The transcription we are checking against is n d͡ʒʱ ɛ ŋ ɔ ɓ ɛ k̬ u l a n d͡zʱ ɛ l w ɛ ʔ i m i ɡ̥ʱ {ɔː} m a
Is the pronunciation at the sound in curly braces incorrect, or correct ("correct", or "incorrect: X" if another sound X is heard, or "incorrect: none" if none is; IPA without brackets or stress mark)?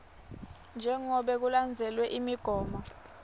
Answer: correct